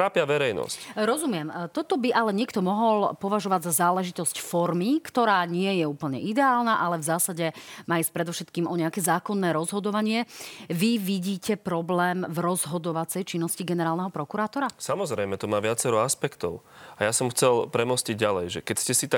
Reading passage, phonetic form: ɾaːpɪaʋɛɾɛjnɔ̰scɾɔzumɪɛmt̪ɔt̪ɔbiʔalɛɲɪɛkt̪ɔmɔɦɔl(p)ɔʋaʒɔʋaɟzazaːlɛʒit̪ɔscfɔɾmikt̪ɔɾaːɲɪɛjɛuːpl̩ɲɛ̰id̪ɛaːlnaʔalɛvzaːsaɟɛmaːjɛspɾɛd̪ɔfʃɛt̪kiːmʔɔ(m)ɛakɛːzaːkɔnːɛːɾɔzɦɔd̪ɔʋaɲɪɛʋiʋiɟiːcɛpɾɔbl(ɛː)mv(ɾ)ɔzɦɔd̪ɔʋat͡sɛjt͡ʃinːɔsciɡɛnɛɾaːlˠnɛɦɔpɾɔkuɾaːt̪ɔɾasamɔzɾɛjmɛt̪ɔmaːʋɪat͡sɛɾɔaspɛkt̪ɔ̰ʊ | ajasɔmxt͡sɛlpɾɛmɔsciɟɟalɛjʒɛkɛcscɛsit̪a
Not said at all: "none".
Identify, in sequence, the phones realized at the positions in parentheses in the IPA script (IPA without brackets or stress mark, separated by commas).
p, ɲ, ɛː, ɾ